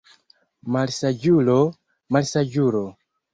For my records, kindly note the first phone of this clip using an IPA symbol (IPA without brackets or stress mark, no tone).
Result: m